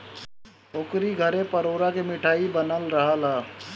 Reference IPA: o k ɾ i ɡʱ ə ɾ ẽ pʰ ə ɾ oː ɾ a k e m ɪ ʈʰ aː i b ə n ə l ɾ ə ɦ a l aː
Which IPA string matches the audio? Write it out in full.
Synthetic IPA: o k ɾ i ɡʱ ə ɾ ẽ p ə ɾ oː ɾ a k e m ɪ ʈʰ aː i b ə n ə l ɾ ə ɦ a l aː